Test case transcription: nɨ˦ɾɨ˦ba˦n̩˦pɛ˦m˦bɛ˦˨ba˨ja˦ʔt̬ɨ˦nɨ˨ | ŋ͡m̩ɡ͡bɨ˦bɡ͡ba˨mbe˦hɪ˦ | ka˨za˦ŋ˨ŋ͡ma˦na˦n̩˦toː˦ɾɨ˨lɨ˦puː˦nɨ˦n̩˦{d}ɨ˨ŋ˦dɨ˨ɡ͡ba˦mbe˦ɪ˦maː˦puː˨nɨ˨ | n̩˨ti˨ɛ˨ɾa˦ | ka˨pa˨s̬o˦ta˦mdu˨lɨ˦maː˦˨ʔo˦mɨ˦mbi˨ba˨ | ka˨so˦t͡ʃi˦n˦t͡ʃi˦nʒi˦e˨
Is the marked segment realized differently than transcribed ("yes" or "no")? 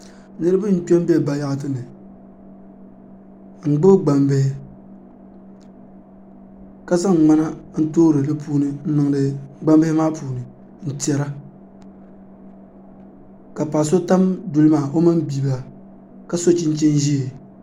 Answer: yes